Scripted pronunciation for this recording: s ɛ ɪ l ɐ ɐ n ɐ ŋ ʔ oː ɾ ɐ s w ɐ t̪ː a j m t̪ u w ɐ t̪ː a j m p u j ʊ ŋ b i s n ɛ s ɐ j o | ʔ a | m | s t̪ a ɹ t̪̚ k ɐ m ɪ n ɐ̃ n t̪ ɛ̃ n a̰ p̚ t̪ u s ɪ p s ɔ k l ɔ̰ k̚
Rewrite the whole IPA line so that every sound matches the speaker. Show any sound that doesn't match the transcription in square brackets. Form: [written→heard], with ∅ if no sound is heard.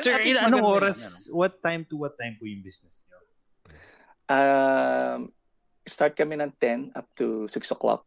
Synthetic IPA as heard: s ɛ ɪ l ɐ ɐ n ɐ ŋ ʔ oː ɾ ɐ s w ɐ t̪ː a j m t̪ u w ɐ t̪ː a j m p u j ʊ ŋ b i s n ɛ s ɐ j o | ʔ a | m | s t̪ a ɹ t̪̚ k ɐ m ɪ n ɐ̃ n t̪ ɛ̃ n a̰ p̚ t̪ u s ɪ [p→k] s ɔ k l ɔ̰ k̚